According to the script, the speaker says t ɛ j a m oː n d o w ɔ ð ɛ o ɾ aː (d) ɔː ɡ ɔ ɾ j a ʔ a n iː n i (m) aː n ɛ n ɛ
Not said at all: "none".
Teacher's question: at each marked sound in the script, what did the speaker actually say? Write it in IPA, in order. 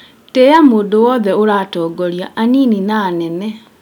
t, n

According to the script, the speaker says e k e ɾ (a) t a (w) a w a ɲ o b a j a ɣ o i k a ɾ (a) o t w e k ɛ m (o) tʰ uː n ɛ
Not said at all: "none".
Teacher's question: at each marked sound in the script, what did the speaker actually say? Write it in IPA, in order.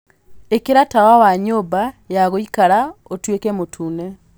a, w, a, o

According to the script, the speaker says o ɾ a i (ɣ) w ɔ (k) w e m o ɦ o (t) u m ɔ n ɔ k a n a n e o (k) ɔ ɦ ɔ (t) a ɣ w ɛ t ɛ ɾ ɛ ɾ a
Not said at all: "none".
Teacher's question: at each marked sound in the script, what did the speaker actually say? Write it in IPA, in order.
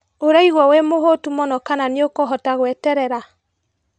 ɣ, none, t, k, t

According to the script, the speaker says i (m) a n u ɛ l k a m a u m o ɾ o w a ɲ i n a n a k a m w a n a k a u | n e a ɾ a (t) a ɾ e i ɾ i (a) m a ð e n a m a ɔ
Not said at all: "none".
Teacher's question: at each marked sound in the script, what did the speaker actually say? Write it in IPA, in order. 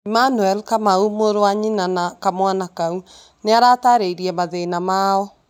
m, t, ɛ

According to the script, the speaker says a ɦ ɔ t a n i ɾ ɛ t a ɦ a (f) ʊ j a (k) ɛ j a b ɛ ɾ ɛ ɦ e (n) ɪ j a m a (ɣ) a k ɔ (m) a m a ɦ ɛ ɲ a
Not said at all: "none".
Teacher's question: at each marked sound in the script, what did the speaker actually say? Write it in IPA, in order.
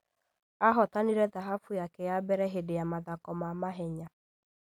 f, k, d, ð, m

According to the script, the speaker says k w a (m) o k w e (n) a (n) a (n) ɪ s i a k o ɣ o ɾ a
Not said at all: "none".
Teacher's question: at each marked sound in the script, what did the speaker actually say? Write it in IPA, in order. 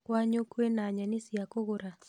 ɲ, n, ɲ, n

